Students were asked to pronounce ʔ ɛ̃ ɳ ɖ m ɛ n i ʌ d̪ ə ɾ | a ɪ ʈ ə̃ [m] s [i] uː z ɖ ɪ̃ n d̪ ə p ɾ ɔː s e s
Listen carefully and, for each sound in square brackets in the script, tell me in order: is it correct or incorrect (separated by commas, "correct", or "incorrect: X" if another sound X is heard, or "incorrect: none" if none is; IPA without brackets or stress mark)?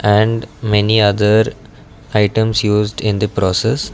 correct, incorrect: j